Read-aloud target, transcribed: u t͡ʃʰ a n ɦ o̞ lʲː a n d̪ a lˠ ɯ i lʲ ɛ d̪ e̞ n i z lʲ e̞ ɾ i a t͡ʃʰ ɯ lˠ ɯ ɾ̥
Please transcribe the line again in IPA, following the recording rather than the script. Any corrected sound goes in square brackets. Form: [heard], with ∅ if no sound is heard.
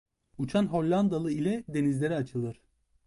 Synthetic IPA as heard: u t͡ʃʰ a n ɦ o̞ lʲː a n d̪ a lˠ ɯ i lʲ ɛ d̪ e̞ n i z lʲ e̞ ɾ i a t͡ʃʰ ɯ lˠ ɯ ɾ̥